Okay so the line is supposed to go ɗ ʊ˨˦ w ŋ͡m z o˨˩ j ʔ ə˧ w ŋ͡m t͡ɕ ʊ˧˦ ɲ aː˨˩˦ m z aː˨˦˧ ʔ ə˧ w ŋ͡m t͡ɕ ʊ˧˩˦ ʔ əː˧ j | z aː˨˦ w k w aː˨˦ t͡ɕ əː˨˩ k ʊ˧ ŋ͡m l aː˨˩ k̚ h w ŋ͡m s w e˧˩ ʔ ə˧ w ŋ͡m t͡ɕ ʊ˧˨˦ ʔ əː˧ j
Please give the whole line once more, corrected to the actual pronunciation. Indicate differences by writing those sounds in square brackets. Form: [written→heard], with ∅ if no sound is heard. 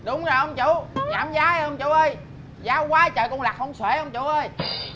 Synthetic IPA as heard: ɗ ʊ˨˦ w ŋ͡m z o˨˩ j ʔ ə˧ w ŋ͡m t͡ɕ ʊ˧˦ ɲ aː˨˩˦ m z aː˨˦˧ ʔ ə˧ w ŋ͡m t͡ɕ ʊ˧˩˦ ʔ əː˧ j | z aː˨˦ w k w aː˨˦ t͡ɕ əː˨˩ k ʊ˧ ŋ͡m l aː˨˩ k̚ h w ŋ͡m s w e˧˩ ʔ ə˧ w ŋ͡m t͡ɕ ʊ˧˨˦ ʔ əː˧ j